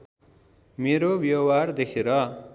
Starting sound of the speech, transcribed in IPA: m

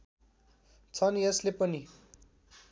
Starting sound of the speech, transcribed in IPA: t͡sʰ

